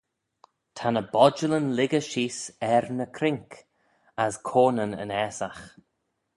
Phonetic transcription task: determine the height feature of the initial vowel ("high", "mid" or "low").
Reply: low